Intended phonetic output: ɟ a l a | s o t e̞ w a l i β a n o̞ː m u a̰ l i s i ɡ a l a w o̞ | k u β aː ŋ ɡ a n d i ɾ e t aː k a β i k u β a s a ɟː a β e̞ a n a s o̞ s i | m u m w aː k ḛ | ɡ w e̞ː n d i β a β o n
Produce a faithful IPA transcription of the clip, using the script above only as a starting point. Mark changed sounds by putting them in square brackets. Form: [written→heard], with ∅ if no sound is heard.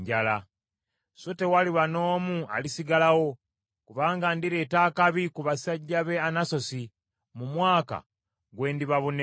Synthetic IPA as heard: ɟ a l a | s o t e̞ w a l i β a n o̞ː m u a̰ l i s i ɡ a l a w o̞ | k u β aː ŋ ɡ a n d i ɾ e t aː k a β i k u β a s a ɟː a β e̞ a n a s o̞ s i | m u m w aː k [ḛ→a̰] | ɡ w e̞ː n d i β a β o n